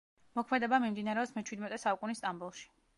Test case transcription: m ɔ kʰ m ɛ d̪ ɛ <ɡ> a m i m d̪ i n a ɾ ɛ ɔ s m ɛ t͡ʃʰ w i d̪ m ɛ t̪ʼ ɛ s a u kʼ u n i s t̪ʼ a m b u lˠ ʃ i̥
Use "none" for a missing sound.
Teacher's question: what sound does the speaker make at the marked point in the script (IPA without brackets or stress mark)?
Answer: b